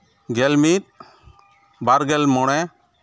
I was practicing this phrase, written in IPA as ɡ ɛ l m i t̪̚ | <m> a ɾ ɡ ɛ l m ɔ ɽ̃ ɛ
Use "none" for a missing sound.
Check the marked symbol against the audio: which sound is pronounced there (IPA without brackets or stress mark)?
b